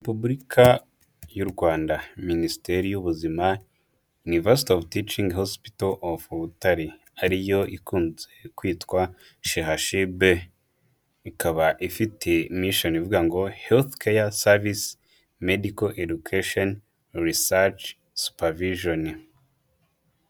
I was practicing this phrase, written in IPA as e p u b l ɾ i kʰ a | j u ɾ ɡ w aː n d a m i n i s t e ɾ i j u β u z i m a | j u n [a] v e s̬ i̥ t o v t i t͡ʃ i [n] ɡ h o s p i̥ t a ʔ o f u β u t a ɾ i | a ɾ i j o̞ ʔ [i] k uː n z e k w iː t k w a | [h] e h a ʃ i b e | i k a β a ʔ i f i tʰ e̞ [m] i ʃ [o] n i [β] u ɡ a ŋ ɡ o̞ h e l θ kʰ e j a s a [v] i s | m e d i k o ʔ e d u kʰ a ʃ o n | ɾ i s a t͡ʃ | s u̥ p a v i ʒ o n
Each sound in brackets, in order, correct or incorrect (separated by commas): incorrect, incorrect, correct, incorrect, correct, correct, incorrect, correct